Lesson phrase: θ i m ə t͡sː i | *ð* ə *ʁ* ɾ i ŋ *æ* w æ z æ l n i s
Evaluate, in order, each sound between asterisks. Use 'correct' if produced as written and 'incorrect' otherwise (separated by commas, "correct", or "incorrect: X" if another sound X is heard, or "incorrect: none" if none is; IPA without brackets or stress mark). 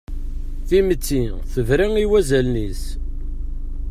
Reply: incorrect: θ, incorrect: v, incorrect: i